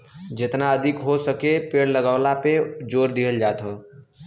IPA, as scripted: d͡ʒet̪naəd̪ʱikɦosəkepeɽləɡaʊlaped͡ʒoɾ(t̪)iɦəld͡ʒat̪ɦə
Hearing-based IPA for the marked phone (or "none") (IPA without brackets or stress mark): d̪